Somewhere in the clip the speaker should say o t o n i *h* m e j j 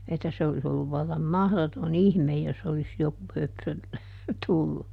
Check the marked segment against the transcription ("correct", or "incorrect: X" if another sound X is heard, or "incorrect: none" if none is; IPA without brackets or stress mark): correct